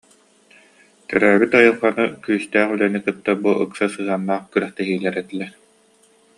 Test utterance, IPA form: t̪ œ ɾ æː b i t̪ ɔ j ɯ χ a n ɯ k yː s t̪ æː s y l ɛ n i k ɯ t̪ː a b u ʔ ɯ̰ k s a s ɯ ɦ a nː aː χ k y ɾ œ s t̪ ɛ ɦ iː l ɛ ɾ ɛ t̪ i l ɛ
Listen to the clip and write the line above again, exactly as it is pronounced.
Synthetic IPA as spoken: t̪ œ ɾ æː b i t̪ ɔ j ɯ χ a n ɯ k yː s t̪ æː χ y l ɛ n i k ɯ t̪ː a b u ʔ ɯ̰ k s a s ɯ ɦ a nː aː χ k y ɾ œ χ t̪ ɛ ɦ iː l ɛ ɾ ɛ t̪ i l ɛ